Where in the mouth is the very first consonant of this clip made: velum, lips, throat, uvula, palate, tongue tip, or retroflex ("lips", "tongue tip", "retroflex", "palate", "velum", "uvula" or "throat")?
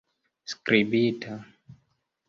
tongue tip